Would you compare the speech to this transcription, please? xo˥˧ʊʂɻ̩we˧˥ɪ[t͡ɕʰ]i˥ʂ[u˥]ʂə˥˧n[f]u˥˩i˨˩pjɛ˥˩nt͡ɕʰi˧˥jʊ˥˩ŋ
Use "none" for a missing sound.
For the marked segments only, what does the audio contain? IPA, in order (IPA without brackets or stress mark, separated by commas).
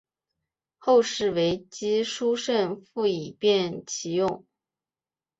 t͡ɕ, u˥, f